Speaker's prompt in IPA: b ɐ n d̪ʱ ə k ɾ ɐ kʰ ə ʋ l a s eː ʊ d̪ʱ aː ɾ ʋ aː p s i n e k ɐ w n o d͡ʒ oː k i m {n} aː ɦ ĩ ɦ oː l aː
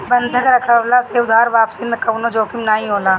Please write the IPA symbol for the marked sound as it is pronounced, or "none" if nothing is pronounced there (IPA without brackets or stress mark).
n